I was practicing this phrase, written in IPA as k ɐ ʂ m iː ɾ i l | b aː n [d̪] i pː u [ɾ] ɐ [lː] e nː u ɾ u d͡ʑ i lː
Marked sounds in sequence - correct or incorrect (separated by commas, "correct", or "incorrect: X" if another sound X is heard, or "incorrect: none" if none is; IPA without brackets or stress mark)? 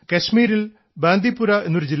correct, correct, incorrect: none